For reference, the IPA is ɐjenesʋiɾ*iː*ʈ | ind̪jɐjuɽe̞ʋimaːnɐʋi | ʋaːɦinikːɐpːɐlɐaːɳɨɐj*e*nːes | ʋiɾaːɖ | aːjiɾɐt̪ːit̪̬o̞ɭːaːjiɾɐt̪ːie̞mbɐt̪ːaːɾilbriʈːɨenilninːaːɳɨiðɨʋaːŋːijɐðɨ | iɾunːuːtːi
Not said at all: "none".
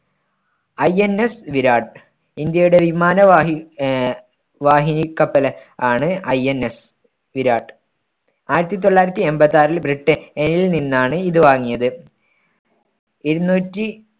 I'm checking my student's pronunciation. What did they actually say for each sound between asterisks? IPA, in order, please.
aː, e

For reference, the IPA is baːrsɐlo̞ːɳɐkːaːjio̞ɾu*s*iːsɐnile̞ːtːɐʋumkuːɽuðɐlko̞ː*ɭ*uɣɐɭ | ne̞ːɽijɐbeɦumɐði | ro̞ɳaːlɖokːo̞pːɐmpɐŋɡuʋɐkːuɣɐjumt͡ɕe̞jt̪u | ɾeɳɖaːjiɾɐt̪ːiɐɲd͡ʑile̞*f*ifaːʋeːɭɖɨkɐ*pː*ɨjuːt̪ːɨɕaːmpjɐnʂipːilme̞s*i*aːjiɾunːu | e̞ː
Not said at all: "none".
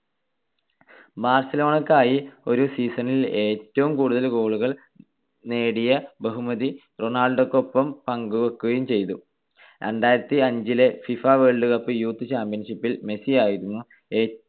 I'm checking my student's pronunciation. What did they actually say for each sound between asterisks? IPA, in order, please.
s, ɭ, f, pː, i

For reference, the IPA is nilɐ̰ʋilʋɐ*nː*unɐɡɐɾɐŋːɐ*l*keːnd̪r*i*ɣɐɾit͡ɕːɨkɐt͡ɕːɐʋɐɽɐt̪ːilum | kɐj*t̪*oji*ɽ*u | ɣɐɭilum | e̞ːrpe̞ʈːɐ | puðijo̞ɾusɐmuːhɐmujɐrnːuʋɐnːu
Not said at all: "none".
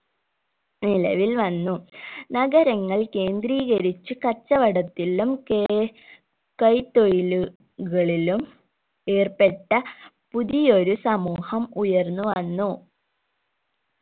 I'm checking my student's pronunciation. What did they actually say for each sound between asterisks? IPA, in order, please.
nː, ɭ, iː, t̪, l

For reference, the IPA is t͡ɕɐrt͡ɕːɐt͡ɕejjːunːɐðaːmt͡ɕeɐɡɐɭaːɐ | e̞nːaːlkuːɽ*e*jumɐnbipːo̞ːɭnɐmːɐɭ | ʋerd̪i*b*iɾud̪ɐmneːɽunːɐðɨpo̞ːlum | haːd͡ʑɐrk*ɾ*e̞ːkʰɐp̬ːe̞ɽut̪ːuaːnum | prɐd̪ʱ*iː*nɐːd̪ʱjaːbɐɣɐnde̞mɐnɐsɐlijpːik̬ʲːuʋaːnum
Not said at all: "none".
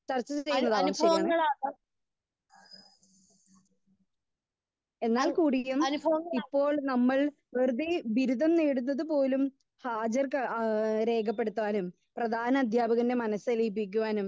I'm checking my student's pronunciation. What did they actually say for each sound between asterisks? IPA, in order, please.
i, b, ɾ, aː

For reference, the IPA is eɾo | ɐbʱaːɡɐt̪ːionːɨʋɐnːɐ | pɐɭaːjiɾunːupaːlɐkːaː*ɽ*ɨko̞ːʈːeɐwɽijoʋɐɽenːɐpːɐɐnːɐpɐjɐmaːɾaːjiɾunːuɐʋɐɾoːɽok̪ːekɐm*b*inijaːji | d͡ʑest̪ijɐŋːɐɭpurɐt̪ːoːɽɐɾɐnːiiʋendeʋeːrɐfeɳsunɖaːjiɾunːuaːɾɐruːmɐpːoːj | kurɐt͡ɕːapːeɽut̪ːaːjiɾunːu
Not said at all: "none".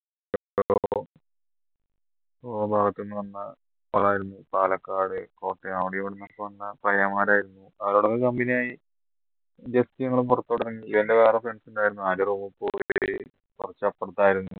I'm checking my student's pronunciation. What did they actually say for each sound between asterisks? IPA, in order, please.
ɽ, b

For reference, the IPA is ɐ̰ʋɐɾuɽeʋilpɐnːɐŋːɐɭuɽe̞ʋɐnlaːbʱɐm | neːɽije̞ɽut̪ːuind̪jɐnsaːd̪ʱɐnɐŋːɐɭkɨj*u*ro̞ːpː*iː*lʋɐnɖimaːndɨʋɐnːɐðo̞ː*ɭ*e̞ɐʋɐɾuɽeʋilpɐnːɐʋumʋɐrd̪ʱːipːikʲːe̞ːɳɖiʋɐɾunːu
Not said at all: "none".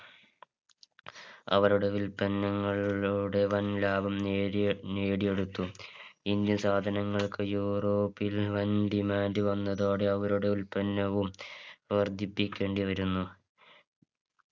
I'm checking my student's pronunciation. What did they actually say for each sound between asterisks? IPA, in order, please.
uː, i, ɽ

